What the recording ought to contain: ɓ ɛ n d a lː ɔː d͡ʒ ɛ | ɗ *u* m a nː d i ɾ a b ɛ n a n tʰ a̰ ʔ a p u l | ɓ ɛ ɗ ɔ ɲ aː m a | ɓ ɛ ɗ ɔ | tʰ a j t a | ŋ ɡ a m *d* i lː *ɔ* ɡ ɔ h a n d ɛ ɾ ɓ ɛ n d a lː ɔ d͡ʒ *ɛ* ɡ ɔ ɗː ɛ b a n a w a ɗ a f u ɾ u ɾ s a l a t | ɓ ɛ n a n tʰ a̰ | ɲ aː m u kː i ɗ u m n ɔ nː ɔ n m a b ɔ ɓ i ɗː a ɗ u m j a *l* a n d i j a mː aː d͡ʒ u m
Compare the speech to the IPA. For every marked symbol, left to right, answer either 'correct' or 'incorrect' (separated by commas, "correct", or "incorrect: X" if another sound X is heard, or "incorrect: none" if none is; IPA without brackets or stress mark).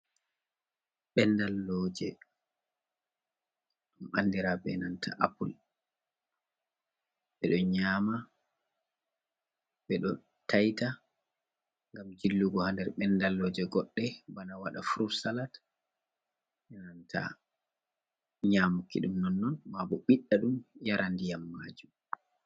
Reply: correct, incorrect: d͡ʒ, incorrect: u, correct, incorrect: ɾ